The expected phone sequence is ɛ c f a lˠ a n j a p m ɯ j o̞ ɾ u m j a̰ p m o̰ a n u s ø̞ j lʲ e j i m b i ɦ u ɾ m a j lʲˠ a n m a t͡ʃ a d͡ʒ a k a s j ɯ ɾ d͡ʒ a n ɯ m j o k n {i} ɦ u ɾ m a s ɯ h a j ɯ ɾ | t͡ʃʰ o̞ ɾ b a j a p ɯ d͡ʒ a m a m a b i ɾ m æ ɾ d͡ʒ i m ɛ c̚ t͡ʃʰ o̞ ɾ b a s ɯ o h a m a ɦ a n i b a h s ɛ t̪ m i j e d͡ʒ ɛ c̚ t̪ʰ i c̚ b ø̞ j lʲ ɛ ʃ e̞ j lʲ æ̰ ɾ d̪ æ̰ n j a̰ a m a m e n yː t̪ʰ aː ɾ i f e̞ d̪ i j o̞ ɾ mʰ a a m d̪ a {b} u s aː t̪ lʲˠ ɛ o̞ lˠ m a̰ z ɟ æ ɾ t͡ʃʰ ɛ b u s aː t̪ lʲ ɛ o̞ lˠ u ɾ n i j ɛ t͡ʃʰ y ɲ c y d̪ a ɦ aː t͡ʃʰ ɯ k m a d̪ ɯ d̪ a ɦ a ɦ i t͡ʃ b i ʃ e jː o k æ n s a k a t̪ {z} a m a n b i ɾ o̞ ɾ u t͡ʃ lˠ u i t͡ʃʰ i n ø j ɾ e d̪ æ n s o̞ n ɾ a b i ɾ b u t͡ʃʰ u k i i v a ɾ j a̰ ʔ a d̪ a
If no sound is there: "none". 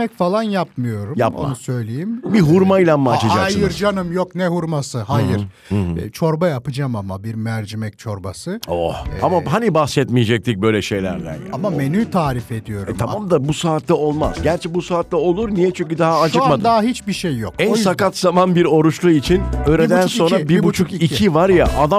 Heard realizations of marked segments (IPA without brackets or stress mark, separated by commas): ɛ, b, z